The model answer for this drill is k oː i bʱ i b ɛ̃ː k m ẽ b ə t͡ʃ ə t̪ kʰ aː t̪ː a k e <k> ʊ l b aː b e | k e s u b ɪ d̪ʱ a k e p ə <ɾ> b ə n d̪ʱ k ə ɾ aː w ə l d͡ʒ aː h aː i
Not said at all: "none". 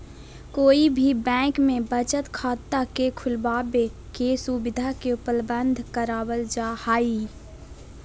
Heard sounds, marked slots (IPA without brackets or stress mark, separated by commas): kʰ, l